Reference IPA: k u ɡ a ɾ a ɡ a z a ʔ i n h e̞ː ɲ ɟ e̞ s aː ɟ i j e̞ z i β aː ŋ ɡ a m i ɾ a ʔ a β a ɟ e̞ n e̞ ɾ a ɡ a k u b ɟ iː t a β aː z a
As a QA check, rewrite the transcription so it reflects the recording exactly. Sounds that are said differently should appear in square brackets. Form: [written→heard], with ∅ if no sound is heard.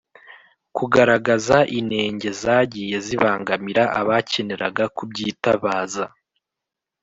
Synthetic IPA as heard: k u ɡ a ɾ a ɡ a z a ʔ i n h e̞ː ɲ ɟ e̞ [s→z] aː ɟ i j e̞ z i β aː ŋ ɡ a m i ɾ a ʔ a β a [ɟ→c] e̞ n e̞ ɾ a ɡ a k u b ɟ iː t a β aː z a

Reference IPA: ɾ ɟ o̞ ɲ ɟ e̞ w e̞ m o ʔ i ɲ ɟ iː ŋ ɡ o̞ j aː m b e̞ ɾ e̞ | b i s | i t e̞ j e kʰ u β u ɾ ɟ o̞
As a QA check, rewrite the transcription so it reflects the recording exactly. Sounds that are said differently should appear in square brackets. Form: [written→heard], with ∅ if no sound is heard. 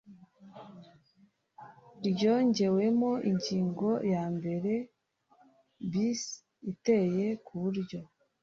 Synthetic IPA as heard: ɾ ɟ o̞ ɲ ɟ e̞ w e̞ m o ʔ i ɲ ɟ iː ŋ ɡ o̞ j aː m b e̞ ɾ e̞ | b i s | i t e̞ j e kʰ u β u ɾ ɟ o̞

